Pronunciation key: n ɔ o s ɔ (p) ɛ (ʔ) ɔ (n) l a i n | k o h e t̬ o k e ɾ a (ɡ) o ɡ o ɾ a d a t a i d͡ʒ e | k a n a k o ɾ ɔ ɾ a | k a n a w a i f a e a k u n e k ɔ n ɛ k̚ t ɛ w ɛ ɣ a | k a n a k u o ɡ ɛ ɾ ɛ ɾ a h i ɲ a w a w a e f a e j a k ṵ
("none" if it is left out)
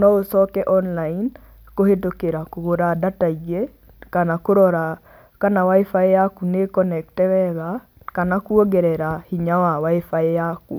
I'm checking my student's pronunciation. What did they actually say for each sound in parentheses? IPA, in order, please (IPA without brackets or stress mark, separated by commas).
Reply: k, ʔ, n, k